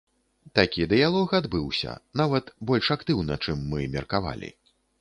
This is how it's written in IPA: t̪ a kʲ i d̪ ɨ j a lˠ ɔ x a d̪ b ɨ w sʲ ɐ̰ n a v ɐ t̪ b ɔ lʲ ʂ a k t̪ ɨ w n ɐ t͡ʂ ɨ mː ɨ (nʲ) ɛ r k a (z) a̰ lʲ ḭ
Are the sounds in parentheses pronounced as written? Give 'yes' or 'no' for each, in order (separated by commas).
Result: no, no